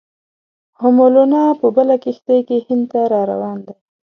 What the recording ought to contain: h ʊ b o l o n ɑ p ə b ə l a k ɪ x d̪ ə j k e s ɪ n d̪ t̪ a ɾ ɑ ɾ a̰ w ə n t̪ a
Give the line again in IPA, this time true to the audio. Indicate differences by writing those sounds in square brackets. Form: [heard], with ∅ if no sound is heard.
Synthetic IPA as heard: h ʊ [m] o l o n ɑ p ə b ə l a k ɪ x [t̪] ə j k e [h] ɪ n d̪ t̪ a ɾ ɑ ɾ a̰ w [ɑ] n [d̪] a